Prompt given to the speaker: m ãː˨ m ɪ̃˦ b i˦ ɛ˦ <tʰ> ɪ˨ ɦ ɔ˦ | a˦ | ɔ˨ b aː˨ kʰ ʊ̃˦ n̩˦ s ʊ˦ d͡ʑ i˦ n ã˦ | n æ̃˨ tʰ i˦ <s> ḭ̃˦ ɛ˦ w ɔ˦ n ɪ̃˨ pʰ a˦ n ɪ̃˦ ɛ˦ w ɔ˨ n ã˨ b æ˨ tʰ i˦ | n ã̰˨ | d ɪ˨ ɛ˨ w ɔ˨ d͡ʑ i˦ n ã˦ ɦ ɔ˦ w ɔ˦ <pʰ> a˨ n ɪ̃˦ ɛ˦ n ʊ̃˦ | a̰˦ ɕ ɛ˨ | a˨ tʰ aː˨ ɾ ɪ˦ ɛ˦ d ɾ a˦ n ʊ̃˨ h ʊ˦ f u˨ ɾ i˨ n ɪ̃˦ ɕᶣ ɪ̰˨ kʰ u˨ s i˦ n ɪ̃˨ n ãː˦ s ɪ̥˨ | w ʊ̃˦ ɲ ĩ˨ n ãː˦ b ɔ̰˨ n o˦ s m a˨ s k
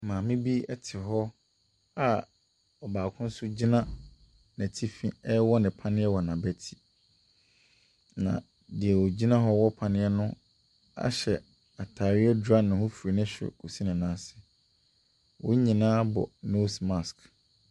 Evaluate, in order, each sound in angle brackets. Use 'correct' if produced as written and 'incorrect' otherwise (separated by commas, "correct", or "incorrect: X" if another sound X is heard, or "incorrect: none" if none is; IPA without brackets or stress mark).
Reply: correct, incorrect: f, correct